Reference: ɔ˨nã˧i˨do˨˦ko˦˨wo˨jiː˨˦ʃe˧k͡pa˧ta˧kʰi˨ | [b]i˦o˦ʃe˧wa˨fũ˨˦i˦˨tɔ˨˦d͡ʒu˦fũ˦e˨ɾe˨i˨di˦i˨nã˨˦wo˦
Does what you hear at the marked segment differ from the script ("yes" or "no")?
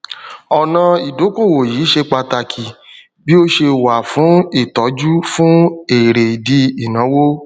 no